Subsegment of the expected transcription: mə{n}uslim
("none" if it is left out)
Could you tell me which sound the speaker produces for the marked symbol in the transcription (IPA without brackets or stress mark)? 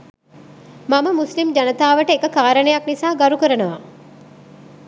m